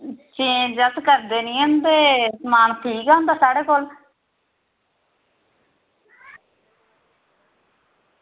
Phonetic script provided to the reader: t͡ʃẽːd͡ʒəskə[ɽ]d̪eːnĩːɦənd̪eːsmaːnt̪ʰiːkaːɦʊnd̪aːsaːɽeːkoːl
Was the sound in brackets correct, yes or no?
no